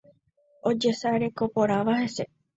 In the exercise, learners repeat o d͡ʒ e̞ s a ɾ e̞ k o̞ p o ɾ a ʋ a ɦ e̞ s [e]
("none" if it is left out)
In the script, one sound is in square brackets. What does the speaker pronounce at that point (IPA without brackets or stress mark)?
e